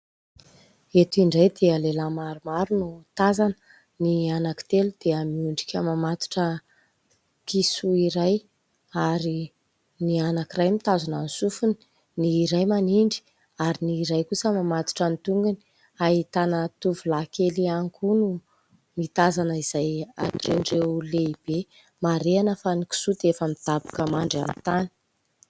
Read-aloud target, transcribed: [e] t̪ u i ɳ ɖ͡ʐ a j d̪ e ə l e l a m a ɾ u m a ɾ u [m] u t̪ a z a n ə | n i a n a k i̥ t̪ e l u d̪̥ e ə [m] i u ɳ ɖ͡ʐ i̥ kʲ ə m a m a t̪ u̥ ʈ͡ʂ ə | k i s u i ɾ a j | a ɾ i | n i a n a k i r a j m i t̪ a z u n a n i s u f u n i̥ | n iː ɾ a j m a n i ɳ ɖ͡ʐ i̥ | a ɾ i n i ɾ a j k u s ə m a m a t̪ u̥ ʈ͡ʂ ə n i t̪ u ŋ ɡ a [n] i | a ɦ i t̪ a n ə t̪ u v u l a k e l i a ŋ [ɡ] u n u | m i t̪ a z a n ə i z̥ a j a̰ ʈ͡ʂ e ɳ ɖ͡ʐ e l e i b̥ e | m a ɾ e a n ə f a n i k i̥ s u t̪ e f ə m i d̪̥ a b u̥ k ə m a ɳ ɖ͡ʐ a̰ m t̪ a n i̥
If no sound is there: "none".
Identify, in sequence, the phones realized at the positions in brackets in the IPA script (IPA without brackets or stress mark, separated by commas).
e, n, m, n, k